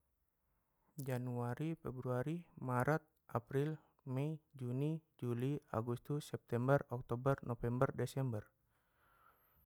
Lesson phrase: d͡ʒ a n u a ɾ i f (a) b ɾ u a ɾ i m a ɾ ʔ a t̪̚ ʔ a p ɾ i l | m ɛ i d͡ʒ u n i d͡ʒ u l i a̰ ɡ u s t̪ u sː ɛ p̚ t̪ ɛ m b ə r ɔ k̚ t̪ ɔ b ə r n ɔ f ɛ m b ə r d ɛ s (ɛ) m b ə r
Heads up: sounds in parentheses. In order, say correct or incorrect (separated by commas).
incorrect, correct